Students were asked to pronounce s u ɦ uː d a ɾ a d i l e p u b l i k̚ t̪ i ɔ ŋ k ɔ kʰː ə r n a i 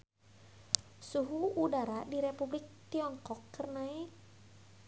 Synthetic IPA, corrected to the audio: s u ɦ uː d a ɾ a d i ɾ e p u b l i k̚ t̪ i ɔ ŋ k ɔ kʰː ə r n a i